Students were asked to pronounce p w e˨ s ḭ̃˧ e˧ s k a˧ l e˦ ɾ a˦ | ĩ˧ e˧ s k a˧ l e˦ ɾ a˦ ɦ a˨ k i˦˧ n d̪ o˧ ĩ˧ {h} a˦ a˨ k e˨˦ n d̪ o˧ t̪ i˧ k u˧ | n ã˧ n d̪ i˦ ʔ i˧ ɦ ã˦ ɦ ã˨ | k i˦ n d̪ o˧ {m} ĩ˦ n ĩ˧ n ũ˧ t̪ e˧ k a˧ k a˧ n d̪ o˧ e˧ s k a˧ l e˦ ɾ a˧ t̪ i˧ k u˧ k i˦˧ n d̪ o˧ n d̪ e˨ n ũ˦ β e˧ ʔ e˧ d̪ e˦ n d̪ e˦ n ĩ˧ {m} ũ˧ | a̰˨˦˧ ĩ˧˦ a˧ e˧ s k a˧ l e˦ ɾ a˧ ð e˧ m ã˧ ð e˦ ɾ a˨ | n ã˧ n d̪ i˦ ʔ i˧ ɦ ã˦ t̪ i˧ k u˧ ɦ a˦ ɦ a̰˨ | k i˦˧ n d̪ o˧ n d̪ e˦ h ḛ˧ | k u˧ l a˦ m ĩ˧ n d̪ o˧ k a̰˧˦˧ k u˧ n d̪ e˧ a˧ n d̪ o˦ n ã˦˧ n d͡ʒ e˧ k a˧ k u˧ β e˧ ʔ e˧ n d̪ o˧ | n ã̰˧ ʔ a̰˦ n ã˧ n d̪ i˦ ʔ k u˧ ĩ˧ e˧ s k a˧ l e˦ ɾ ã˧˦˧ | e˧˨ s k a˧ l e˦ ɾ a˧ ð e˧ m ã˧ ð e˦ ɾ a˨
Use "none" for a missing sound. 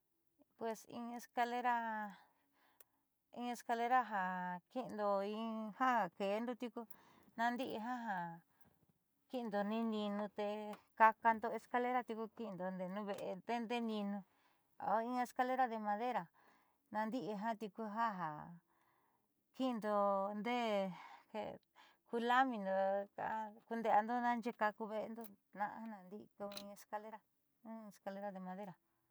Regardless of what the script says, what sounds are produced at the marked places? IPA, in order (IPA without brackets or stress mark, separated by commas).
h, n, n